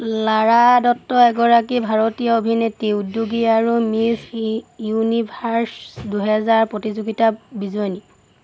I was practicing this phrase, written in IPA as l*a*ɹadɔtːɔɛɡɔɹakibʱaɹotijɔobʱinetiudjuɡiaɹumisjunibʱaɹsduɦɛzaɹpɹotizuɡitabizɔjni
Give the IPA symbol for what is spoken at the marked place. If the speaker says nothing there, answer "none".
a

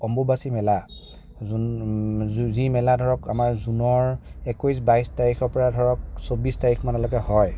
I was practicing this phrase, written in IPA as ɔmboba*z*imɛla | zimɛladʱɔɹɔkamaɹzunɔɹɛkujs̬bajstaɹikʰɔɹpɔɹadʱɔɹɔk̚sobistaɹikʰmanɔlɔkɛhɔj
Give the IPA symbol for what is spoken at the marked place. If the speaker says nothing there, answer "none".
s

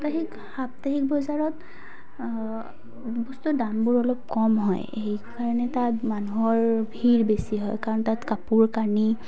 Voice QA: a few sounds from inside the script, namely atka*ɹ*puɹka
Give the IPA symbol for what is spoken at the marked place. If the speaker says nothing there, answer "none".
none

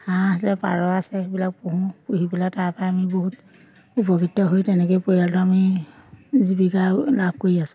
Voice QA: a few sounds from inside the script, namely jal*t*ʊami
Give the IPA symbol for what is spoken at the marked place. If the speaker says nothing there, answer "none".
t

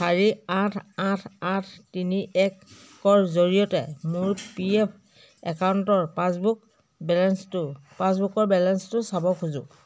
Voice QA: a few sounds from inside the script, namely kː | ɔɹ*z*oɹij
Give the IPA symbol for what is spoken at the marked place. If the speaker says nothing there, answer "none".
z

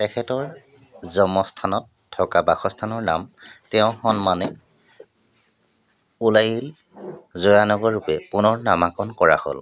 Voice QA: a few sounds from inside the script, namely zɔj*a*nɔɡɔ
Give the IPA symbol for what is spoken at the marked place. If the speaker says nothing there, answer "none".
a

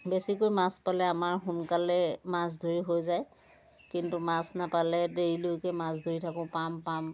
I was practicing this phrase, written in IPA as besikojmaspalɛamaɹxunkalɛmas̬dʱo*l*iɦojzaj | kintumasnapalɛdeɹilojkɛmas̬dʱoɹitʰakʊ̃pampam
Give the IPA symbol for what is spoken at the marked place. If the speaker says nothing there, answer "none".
ɹ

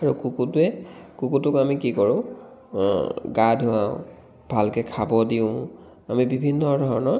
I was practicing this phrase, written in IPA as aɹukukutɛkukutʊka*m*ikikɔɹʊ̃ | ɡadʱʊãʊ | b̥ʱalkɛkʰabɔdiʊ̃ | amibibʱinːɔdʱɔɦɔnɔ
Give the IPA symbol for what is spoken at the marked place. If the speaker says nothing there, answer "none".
m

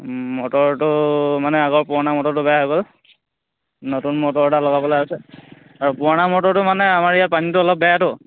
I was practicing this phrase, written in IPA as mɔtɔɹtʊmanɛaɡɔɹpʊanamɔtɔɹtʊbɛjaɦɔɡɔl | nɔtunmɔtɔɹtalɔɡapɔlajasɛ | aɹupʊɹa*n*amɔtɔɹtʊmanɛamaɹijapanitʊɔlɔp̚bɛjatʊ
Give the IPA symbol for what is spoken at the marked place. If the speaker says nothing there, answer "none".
n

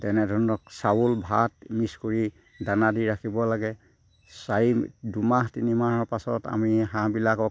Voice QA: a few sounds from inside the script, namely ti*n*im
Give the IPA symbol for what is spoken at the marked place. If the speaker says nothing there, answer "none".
n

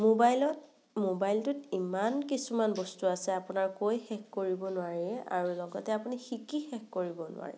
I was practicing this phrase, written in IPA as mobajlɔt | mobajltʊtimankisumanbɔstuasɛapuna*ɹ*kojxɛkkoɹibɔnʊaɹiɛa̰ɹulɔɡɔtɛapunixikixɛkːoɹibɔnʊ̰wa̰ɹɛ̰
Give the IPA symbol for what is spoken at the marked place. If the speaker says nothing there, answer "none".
ɹ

